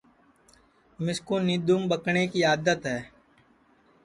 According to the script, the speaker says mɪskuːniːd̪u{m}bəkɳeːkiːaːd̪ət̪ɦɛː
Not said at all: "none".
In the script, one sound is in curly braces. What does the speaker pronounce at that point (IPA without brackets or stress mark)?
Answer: m